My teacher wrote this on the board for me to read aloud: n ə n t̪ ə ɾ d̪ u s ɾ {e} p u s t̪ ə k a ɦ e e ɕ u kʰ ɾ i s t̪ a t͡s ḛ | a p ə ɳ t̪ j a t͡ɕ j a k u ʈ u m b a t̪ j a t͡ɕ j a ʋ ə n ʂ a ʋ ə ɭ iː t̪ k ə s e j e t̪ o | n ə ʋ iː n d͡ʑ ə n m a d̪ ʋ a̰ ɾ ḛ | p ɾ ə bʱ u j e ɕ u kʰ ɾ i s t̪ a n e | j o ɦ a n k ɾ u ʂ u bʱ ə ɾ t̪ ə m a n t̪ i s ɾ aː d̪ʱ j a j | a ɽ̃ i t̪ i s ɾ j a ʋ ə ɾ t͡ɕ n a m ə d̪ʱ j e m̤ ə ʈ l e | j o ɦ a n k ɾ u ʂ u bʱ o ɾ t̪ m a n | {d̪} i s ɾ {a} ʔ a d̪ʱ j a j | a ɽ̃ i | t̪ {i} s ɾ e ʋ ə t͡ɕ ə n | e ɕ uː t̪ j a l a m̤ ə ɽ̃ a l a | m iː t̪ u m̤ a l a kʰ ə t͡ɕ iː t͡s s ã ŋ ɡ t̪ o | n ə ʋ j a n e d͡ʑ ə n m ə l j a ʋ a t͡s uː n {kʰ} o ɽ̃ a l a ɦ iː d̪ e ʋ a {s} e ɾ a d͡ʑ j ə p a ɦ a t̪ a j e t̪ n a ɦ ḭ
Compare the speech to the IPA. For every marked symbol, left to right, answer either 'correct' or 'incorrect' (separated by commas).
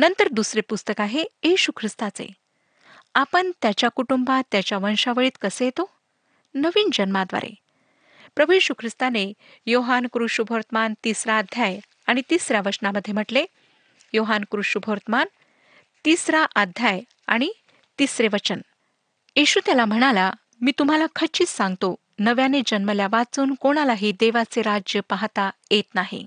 correct, incorrect, correct, correct, incorrect, incorrect